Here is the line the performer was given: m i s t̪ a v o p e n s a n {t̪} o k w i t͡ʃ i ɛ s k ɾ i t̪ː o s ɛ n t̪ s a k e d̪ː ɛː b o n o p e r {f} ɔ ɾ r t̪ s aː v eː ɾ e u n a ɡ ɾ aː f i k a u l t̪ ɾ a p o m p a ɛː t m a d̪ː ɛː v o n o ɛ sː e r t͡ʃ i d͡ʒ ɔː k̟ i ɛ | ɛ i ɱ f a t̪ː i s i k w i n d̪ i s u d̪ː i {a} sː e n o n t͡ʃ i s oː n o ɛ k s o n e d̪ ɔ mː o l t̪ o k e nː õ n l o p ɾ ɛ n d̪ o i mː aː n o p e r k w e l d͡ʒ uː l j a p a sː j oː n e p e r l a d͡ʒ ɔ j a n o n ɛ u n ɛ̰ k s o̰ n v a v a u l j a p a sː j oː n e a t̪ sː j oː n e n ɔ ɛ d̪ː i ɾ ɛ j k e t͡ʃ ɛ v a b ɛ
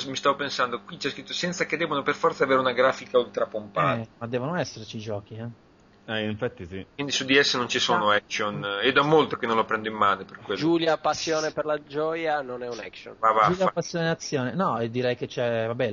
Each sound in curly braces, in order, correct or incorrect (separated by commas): incorrect, correct, incorrect